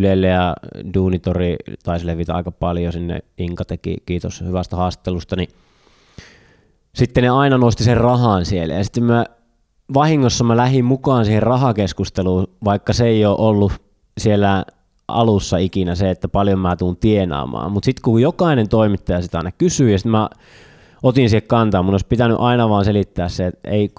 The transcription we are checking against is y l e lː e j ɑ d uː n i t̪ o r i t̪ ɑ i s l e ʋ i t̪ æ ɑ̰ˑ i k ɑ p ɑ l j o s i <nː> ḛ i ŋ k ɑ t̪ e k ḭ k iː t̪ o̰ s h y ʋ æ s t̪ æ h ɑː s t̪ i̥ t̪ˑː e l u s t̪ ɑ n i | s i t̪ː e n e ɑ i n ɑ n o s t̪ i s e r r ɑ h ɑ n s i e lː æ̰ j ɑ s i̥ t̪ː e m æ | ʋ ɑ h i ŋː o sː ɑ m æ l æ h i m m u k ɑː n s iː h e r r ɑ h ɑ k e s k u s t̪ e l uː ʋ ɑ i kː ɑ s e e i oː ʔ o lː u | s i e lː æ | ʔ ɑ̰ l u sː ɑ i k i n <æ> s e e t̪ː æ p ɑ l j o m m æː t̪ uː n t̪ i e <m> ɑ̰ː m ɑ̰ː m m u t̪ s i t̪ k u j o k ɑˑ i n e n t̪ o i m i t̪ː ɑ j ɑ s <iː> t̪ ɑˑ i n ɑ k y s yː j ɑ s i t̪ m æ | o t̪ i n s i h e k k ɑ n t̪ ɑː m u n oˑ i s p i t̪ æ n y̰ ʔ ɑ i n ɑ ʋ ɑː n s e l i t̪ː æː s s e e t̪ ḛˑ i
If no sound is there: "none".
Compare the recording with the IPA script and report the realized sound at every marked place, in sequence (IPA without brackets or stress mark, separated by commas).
nː, æ, n, i